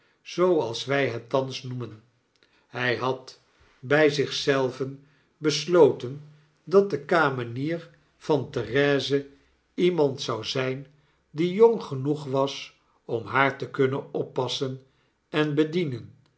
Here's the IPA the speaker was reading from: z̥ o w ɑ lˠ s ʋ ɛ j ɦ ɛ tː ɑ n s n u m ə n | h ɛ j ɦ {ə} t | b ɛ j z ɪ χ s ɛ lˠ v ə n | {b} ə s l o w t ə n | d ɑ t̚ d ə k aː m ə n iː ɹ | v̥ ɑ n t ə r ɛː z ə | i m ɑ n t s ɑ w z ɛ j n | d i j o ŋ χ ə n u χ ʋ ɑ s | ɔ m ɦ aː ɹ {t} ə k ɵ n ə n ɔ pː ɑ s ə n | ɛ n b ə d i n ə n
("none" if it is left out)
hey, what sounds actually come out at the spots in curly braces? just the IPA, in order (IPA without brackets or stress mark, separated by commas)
ɑ, b, t